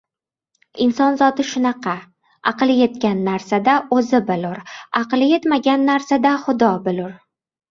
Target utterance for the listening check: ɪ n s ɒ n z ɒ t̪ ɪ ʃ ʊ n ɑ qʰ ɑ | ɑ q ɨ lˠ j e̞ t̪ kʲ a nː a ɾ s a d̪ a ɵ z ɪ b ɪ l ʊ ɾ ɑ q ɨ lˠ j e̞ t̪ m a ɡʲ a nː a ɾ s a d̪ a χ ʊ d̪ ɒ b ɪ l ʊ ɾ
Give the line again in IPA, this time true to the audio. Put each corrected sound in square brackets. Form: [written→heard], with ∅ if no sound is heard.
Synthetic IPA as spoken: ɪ n s ɒ n z ɒ t̪ ɪ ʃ ʊ n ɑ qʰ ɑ | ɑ q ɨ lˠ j e̞ t̪ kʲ a nː a ɾ s a d̪ a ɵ z ɪ b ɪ l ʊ ɾ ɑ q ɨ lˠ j e̞ t̪ m a ɡʲ a nː a ɾ s a d̪ a χ ʊ d̪ ɒ b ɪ l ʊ ɾ

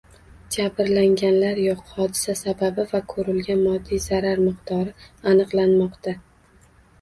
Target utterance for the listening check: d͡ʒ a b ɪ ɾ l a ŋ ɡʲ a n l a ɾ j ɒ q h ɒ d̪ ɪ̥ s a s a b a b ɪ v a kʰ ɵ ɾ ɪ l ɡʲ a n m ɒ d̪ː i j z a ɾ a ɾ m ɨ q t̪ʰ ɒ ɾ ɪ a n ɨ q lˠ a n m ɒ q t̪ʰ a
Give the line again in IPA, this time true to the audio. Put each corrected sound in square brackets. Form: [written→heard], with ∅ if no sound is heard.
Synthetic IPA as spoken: d͡ʒ a b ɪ ɾ l a ŋ ɡʲ a n l a ɾ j ɒ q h ɒ d̪ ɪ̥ s a s a b a b ɪ v a kʰ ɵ ɾ ɪ l ɡʲ a n m ɒ d̪ː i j z a ɾ a ɾ m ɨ q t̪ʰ ɒ ɾ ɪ a n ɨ q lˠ a n m ɒ q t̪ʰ a

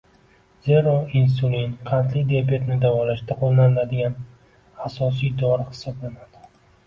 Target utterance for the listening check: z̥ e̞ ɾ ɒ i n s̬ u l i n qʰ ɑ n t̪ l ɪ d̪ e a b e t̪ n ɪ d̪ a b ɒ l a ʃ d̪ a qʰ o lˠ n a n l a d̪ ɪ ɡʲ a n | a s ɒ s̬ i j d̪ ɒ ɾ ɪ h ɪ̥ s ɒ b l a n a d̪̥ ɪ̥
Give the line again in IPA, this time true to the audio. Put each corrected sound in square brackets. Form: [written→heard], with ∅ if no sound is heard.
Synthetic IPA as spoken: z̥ e̞ ɾ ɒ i n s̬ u l i n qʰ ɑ n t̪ l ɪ d̪ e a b e t̪ n ɪ d̪ a [b→v] ɒ l a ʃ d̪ a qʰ o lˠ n a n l a d̪ ɪ ɡʲ a n | a s ɒ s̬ i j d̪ ɒ ɾ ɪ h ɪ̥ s ɒ b l a n a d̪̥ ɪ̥

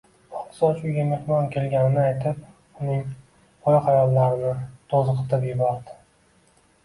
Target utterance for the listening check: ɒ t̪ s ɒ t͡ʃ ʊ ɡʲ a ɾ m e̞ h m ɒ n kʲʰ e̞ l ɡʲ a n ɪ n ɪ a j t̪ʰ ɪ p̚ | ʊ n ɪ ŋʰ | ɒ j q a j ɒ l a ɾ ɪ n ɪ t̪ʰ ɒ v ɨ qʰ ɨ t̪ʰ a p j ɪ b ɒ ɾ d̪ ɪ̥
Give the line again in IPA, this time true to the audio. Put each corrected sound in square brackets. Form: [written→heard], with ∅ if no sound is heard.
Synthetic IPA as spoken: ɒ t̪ s ɒ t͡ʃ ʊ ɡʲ a [ɾ→∅] m e̞ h m ɒ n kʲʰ e̞ l ɡʲ a n ɪ n ɪ a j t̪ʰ ɪ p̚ | ʊ n ɪ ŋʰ | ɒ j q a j ɒ [l→lː] a ɾ ɪ n ɪ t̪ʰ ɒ [v→z] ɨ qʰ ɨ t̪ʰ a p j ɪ b ɒ ɾ d̪ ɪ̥

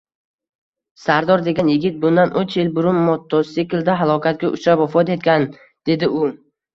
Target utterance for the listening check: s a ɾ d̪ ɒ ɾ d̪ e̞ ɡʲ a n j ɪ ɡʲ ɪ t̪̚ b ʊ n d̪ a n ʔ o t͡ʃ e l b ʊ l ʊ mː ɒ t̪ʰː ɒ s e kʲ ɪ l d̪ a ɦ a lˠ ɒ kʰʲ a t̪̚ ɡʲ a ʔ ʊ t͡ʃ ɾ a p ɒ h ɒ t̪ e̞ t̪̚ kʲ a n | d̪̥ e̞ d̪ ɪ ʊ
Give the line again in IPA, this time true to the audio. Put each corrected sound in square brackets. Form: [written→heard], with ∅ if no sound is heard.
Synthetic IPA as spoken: s a ɾ d̪ ɒ ɾ d̪ e̞ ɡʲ a n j ɪ ɡʲ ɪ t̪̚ b ʊ n d̪ a n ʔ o t͡ʃ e l b ʊ [l→ɾ] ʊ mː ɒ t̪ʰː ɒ s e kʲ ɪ l d̪ a ɦ a lˠ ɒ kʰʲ a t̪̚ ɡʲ a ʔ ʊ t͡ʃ ɾ a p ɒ [h→f] ɒ t̪ e̞ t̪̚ kʲ a n | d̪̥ e̞ d̪ ɪ ʊ

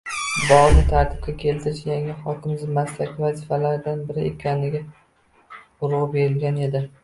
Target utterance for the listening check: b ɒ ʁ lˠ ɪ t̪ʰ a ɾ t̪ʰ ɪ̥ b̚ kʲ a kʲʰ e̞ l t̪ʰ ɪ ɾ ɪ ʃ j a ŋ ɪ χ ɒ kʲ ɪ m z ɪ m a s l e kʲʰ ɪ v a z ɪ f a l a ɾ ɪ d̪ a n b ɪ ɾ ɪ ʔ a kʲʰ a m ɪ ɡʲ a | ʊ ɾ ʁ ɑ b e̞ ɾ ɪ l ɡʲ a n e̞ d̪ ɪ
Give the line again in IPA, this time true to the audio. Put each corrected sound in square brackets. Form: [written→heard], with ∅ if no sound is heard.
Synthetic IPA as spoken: b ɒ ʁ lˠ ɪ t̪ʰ a ɾ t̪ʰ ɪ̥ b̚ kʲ a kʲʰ e̞ l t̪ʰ ɪ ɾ ɪ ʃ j a ŋ ɪ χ ɒ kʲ ɪ m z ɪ m a s l [e→a] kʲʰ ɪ v a z ɪ f a l a ɾ ɪ d̪ a n b ɪ ɾ ɪ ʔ [a→e] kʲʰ a [m→n] ɪ ɡʲ a | ʊ ɾ ʁ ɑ b e̞ ɾ ɪ l ɡʲ a n e̞ d̪ ɪ

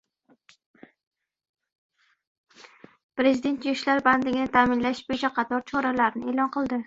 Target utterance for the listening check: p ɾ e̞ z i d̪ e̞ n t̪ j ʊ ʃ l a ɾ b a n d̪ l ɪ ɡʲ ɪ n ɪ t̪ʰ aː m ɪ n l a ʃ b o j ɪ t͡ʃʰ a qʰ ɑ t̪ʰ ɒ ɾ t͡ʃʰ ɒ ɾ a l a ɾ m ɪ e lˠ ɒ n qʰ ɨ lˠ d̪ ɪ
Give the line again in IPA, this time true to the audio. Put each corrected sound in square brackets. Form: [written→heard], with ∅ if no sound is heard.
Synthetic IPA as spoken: p ɾ e̞ z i d̪ e̞ n t̪ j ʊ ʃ l a ɾ b a n d̪ l ɪ ɡʲ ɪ n ɪ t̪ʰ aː m ɪ n l a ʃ b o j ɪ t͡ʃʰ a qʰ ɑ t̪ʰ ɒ ɾ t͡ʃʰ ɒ ɾ a l a ɾ [m→n] ɪ e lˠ ɒ n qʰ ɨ lˠ d̪ ɪ

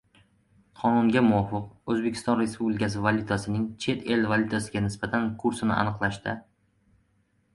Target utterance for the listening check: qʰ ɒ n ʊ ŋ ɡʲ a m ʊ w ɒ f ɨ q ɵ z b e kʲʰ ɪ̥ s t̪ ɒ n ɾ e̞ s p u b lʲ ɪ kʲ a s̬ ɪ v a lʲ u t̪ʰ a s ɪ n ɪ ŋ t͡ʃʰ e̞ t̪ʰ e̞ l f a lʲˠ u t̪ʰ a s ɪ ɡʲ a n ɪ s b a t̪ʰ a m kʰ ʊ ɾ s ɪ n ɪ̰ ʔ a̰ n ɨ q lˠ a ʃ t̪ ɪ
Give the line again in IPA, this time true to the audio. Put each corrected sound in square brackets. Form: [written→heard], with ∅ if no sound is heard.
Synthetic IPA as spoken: qʰ ɒ n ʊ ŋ ɡʲ a m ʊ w ɒ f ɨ q ɵ z b e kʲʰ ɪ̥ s t̪ ɒ n ɾ e̞ s p u b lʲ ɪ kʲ a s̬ ɪ v a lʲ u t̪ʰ a s ɪ n ɪ ŋ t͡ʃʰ e̞ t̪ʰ e̞ l [f→v] a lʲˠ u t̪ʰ a s ɪ ɡʲ a n ɪ s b a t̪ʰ a [m→n] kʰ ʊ ɾ s ɪ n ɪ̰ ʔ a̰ n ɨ q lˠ a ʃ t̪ ɪ

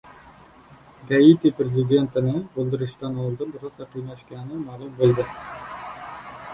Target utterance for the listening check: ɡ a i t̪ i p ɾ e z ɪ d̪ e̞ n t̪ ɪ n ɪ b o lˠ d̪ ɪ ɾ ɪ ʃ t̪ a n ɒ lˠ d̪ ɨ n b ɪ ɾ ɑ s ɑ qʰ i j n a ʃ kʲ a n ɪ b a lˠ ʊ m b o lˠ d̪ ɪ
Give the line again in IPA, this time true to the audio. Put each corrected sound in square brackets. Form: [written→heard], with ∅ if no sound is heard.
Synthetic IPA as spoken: ɡ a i t̪ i p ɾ e z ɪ d̪ e̞ n t̪ ɪ n ɪ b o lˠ d̪ ɪ ɾ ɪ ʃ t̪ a n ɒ lˠ d̪ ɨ n b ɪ ɾ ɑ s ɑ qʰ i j n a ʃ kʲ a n ɪ [b→m] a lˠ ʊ m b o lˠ d̪ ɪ

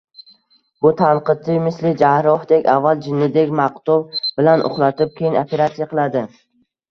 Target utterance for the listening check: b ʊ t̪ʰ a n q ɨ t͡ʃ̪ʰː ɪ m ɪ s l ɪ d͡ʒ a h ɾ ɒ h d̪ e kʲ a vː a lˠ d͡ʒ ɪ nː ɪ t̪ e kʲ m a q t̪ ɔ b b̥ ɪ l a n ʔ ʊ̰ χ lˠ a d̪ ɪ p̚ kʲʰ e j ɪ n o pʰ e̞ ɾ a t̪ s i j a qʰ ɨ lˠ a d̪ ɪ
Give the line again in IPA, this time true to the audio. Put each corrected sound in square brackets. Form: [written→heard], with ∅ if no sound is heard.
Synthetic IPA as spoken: b ʊ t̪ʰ a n q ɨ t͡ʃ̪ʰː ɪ m ɪ s l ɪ d͡ʒ a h ɾ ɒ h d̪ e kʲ a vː a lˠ d͡ʒ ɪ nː ɪ [t̪→d̪] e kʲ m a q t̪ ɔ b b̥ ɪ l a n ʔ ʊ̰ χ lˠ a [d̪→t̪] ɪ p̚ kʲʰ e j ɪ n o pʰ e̞ ɾ a t̪ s i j a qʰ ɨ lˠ a d̪ ɪ

